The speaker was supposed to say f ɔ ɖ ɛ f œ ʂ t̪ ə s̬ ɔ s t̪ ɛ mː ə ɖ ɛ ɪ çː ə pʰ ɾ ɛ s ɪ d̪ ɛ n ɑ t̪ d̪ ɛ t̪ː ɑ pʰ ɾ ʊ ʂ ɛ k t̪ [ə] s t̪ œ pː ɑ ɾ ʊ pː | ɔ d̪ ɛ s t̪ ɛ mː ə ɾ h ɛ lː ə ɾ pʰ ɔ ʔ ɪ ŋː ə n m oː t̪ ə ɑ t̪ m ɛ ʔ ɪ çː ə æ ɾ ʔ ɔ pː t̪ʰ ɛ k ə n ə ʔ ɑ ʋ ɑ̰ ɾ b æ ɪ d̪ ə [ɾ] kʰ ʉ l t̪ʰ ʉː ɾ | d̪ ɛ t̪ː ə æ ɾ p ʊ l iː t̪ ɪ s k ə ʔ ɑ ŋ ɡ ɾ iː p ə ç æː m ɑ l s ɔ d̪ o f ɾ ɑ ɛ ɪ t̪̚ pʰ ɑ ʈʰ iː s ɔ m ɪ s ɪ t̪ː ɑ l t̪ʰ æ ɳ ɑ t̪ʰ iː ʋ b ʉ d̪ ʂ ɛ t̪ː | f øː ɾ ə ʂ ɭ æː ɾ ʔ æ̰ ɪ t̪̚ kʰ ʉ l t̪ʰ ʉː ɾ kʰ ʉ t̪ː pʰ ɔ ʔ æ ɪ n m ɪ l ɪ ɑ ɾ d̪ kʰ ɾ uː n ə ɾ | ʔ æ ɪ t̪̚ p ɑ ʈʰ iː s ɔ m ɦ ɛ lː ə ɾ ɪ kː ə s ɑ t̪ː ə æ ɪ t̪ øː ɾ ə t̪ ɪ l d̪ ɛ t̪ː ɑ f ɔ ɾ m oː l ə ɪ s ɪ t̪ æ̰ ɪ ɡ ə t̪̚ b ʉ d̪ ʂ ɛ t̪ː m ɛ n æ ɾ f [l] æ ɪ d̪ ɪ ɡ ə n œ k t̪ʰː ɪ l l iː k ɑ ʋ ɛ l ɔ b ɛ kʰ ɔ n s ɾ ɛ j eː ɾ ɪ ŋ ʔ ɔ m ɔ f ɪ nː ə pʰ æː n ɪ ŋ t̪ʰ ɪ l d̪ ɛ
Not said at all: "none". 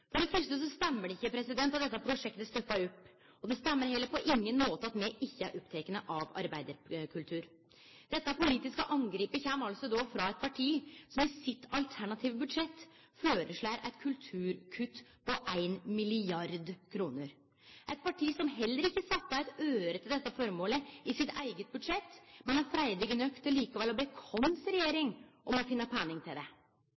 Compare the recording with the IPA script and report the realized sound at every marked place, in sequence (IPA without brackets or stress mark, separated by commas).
ə, ɾ, ɾ